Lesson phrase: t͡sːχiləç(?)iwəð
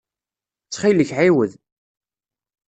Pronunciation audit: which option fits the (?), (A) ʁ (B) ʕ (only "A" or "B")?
B